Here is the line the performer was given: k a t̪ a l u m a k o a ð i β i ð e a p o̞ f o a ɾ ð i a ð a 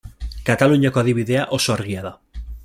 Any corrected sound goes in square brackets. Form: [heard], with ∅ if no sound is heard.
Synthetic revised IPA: k a t̪ a l u [ɲ] a k o a ð i β i ð e a [ʔ] o̞ [s] o a ɾ [ɣ] i a ð a